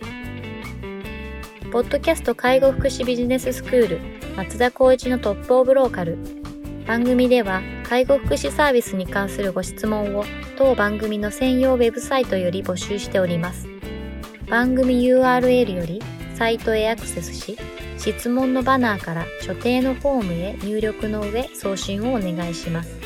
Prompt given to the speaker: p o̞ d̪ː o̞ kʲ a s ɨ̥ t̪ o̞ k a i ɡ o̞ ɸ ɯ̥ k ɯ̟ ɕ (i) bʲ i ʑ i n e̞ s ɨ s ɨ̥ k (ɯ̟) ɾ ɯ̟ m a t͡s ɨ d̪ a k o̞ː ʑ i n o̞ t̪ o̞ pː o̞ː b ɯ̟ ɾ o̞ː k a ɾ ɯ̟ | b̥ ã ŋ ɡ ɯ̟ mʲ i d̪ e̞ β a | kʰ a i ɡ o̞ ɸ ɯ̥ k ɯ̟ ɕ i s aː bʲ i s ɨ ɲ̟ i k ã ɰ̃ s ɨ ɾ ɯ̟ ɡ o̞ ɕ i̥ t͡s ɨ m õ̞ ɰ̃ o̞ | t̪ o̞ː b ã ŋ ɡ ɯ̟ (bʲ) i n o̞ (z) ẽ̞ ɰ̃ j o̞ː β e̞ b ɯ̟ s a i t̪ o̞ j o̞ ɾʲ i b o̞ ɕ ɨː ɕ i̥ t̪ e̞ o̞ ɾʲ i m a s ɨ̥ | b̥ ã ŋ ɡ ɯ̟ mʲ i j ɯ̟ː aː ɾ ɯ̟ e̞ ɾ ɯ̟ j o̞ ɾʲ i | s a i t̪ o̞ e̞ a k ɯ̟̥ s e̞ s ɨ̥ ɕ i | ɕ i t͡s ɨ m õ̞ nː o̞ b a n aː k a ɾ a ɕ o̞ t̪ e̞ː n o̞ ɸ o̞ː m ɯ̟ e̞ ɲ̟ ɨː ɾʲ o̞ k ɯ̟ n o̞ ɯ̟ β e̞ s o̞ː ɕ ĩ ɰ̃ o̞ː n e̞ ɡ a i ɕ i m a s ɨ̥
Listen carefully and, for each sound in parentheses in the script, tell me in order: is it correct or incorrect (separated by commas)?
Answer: correct, incorrect, incorrect, incorrect